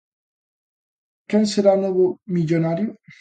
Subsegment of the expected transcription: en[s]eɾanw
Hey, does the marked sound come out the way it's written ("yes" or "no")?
yes